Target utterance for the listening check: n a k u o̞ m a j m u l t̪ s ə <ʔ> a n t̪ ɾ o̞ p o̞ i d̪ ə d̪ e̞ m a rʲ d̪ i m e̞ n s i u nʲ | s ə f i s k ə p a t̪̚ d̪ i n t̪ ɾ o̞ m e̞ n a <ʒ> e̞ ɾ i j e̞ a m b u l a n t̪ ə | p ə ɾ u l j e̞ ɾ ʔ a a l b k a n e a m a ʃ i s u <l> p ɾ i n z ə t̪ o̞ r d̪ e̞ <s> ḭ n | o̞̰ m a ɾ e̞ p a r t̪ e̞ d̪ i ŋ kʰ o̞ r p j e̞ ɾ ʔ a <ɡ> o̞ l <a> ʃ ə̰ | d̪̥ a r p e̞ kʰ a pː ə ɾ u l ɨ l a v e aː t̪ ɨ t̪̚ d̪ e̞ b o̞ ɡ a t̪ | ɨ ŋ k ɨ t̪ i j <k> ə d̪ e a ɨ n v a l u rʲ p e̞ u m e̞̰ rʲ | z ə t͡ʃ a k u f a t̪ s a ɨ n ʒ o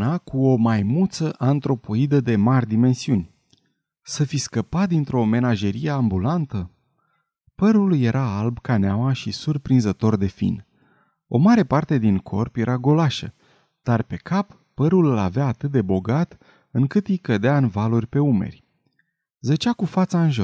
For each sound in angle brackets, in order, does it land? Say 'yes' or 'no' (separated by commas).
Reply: yes, yes, no, no, yes, yes, yes